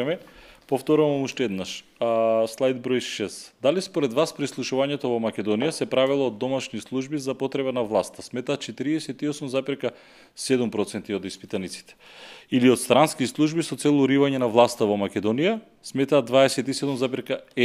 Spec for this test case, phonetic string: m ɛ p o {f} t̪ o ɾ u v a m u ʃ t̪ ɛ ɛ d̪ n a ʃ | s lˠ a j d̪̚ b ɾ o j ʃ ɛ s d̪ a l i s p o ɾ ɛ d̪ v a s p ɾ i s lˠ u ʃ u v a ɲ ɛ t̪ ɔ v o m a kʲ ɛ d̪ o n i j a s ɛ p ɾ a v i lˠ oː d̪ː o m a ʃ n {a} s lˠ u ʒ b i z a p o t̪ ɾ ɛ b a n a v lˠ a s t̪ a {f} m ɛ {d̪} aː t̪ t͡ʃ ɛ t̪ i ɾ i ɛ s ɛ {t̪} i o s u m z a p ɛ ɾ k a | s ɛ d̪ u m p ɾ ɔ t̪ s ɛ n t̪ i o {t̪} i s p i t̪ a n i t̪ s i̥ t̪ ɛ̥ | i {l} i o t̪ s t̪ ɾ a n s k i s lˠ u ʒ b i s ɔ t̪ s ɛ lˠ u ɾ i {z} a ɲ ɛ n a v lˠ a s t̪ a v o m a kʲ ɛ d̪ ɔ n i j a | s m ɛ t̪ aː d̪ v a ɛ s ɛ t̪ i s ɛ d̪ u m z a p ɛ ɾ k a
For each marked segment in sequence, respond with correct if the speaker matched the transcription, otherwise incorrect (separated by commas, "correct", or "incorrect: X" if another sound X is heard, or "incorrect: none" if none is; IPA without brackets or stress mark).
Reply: correct, incorrect: i, incorrect: s, incorrect: t̪, correct, incorrect: d̪, correct, incorrect: v